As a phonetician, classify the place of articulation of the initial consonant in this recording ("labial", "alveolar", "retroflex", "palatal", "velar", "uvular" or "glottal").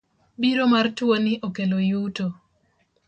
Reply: labial